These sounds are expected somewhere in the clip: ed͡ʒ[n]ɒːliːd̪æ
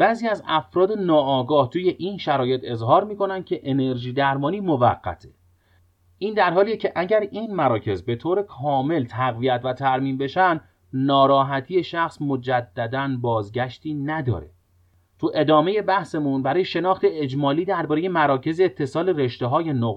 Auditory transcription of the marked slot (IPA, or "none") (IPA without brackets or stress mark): m